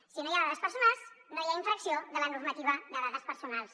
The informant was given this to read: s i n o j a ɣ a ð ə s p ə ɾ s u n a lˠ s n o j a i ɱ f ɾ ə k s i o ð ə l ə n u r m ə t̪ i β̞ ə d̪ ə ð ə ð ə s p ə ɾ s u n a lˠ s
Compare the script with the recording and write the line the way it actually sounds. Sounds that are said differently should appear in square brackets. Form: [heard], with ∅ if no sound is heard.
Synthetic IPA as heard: s i n o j a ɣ a ð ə s p ə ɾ s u n a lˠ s n o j a i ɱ f ɾ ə k s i o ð ə l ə n u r m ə t̪ i β̞ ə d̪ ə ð [a] ð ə s p ə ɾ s u n a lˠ s